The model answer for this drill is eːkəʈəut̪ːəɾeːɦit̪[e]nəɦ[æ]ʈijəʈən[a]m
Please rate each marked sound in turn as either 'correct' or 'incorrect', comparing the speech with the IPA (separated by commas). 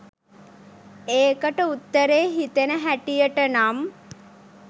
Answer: correct, correct, correct